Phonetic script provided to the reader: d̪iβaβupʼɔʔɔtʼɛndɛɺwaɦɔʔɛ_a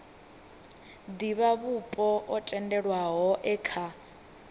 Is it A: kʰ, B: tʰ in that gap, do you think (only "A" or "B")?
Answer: A